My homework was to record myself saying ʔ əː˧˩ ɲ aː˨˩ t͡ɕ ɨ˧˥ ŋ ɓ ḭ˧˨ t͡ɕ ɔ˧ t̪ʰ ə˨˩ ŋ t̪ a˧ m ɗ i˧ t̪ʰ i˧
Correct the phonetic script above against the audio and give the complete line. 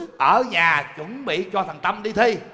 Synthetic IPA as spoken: ʔ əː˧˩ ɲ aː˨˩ t͡ɕ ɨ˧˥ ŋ ɓ ḭ˧˨ t͡ɕ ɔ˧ t̪ʰ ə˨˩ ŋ t̪ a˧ m ɗ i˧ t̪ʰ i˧